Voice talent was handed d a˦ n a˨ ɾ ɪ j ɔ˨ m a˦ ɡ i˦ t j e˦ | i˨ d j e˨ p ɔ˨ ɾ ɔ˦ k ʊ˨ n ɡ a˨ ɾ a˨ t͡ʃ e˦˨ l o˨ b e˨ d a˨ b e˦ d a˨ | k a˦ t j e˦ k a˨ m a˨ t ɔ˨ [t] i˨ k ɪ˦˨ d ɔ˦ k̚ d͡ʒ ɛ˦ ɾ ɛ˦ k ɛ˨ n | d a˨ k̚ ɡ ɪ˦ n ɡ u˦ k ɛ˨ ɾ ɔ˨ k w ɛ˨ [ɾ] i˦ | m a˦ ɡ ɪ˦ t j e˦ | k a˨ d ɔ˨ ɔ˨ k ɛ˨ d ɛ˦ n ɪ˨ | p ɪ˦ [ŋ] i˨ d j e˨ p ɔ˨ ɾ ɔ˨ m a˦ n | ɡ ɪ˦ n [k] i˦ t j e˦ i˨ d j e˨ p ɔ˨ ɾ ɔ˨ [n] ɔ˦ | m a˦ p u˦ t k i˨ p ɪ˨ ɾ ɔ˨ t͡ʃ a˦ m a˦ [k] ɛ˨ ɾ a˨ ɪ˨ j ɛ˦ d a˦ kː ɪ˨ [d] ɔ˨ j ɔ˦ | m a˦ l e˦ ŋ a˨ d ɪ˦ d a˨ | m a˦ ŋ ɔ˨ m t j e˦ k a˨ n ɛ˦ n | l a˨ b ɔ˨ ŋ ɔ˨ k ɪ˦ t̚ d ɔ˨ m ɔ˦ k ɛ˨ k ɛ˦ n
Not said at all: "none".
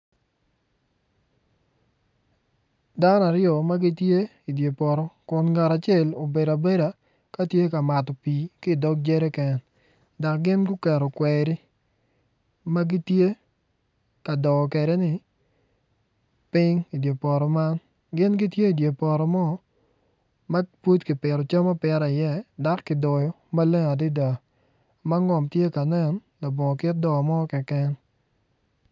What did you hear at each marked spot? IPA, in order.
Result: p, ɾ, ŋ, ɡ, m, p, d

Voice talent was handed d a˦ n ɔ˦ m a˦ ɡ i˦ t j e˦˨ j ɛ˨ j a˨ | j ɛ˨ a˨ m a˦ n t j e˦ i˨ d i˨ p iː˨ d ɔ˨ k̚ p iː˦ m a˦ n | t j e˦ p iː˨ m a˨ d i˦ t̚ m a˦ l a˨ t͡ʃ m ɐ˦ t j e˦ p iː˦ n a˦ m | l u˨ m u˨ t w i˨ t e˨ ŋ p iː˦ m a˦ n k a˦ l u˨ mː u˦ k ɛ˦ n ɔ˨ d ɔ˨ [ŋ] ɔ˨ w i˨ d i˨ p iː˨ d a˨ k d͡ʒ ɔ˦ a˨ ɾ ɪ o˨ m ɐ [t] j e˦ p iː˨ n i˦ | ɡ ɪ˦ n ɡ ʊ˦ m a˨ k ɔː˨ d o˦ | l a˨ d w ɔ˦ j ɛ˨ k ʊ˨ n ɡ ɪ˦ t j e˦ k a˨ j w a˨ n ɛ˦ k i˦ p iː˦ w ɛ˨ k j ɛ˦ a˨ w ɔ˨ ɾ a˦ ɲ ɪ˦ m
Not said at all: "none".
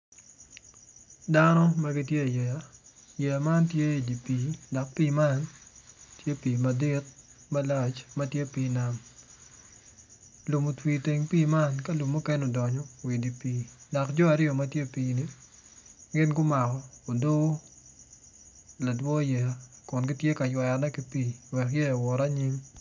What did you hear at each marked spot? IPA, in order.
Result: ɲ, t

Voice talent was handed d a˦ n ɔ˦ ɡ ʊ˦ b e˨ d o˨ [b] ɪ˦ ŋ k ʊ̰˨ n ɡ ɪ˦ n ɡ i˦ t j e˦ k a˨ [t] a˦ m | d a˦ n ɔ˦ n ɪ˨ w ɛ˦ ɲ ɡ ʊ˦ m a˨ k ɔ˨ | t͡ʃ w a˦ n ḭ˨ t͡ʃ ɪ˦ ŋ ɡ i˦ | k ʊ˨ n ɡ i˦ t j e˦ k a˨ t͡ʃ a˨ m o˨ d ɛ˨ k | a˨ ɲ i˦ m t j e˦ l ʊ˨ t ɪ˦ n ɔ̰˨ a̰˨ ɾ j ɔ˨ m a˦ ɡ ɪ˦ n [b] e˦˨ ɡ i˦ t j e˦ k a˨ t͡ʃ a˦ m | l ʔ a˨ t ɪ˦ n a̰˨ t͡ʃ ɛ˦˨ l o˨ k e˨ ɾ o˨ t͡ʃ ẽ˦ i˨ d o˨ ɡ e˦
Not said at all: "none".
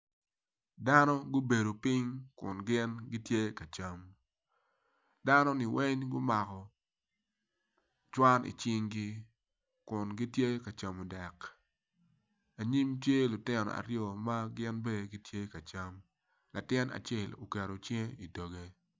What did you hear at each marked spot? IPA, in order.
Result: p, t͡ʃ, b

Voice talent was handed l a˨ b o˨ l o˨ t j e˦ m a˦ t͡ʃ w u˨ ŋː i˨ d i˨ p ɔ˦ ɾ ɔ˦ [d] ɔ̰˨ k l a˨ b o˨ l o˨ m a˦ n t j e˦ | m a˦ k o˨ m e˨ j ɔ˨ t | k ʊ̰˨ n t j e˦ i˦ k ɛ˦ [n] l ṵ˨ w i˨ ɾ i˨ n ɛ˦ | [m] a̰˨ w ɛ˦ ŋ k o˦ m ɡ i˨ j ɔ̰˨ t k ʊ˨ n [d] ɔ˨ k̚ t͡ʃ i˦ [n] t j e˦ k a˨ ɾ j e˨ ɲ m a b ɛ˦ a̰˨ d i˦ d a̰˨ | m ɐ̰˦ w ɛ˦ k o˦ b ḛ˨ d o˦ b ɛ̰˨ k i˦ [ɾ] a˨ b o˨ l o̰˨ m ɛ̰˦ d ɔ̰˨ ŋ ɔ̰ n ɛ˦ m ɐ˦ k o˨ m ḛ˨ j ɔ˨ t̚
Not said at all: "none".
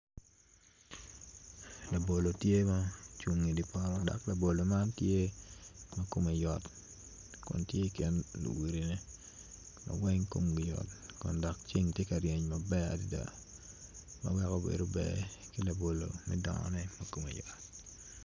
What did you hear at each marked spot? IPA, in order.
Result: d, n, m, d, ŋ, l

